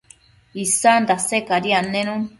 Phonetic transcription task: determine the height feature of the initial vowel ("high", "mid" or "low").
high